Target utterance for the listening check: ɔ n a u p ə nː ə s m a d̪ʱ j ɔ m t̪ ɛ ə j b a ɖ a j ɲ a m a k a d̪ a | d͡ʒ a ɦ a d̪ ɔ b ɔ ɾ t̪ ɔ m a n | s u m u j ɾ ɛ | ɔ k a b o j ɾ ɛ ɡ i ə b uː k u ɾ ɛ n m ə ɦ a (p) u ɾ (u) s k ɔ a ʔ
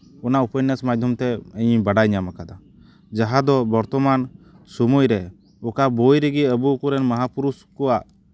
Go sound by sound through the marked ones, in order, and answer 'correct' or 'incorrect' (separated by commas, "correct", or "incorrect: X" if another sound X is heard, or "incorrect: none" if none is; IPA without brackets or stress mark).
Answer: correct, correct